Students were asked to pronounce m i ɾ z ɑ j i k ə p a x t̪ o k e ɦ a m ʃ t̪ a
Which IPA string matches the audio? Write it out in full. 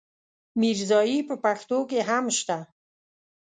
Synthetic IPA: m i ɾ z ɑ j i p ə p a x t̪ o k e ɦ a m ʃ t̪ a